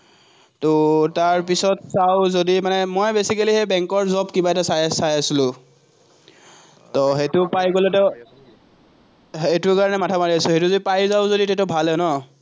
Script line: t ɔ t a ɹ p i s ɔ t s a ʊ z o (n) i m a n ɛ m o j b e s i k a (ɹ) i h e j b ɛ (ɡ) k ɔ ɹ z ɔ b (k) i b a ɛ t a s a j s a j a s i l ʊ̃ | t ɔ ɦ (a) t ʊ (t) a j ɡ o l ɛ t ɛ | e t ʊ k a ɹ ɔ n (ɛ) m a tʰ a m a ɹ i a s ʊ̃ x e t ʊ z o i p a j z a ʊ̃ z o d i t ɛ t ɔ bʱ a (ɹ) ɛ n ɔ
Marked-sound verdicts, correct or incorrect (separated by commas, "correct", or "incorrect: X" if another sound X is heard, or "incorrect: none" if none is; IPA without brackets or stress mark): incorrect: d, incorrect: l, incorrect: ŋ, correct, incorrect: e, incorrect: p, correct, incorrect: l